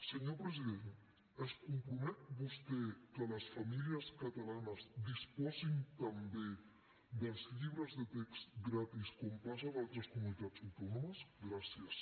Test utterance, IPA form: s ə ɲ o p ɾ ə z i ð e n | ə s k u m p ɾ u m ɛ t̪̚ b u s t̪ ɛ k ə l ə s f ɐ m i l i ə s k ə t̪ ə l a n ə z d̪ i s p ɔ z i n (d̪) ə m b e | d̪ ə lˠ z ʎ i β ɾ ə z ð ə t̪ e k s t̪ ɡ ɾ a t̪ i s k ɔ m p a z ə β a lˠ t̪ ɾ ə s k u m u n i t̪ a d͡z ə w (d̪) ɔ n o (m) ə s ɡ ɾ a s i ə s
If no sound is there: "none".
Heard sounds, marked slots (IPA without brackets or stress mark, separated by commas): t̪, t̪, m